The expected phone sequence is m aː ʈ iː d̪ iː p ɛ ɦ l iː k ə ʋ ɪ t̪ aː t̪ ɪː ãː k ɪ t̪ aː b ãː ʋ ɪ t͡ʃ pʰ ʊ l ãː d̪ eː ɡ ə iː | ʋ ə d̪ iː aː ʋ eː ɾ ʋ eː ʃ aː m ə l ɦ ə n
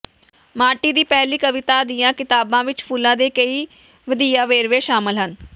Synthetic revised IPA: m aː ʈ iː d̪ iː p ɛ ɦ l iː k ə ʋ ɪ t̪ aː d̪ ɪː ãː k ɪ t̪ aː b ãː ʋ ɪ t͡ʃ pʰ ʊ l ãː d̪ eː k ə iː | ʋ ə d̪ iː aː ʋ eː ɾ ʋ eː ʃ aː m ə l ɦ ə n